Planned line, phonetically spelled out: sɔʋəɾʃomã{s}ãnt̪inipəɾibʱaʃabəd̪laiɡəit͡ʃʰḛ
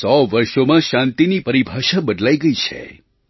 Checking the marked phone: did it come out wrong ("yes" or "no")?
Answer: yes